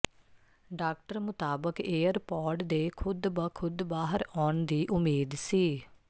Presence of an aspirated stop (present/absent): present